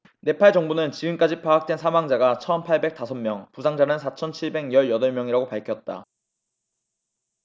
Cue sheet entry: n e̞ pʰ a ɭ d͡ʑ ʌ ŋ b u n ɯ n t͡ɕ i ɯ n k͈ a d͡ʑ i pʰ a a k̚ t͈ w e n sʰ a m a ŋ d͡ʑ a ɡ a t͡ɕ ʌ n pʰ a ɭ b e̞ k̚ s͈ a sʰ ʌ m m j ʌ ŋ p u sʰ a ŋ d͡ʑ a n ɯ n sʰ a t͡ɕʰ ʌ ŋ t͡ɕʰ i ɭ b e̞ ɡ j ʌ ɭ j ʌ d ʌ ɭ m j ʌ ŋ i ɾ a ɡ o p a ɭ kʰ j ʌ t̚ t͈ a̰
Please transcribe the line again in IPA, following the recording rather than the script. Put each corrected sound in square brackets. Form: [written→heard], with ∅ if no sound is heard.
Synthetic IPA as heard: n e̞ pʰ a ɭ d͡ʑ ʌ ŋ b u n ɯ n t͡ɕ i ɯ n k͈ a d͡ʑ i pʰ a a k̚ t͈ w e n sʰ a m a ŋ d͡ʑ a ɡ a [t͡ɕ→t͡ɕʰ] ʌ n pʰ a ɭ b e̞ k̚ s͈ a sʰ ʌ m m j ʌ ŋ p u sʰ a ŋ d͡ʑ a n ɯ n sʰ a t͡ɕʰ ʌ [ŋ→n] t͡ɕʰ i ɭ b e̞ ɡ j ʌ ɭ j ʌ d ʌ ɭ m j ʌ ŋ i ɾ a ɡ o p a ɭ kʰ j ʌ t̚ t͈ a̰